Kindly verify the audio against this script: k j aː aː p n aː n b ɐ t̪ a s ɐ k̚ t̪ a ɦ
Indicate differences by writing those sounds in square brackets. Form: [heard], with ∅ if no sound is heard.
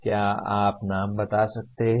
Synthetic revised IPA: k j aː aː p n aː [m] b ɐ t̪ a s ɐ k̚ t̪ [e] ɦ